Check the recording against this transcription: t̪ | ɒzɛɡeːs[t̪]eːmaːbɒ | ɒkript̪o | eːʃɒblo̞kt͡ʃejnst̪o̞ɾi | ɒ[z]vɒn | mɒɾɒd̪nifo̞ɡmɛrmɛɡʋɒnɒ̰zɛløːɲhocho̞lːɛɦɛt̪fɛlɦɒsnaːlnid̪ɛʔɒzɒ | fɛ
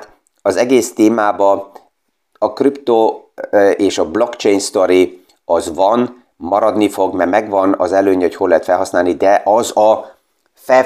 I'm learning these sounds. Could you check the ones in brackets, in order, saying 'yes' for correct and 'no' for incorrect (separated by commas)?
yes, yes